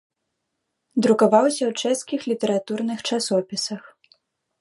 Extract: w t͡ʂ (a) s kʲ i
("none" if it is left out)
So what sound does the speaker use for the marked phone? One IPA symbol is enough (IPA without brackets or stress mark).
ɛ